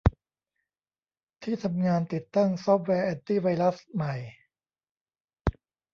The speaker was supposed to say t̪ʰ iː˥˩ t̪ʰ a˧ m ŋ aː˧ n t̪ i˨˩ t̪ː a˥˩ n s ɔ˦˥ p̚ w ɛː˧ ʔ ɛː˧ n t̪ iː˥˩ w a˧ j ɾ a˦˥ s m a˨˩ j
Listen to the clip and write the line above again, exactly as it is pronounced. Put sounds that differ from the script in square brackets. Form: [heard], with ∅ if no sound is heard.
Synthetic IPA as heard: t̪ʰ iː˥˩ t̪ʰ a˧ m ŋ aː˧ n t̪ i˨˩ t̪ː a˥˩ [ŋ] s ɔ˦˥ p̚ w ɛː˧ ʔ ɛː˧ n t̪ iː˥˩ w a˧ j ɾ a˦˥ s m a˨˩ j